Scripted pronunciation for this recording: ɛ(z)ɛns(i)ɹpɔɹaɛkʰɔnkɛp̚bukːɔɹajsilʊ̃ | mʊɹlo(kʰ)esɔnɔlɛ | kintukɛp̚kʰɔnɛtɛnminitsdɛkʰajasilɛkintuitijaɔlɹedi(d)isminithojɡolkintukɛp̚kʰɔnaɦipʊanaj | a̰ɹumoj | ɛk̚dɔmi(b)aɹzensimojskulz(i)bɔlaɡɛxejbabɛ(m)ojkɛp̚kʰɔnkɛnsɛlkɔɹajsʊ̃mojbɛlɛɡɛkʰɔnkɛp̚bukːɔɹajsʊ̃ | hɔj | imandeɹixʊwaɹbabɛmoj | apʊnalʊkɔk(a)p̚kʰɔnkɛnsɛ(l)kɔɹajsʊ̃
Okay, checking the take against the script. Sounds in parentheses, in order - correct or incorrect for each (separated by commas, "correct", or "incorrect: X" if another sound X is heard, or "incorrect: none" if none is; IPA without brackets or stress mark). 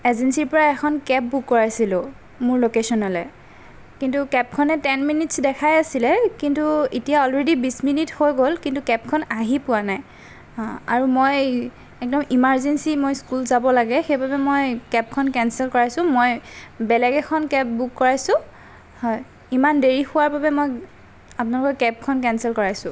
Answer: correct, correct, incorrect: k, incorrect: b, incorrect: m, incorrect: a, correct, incorrect: ɛ, correct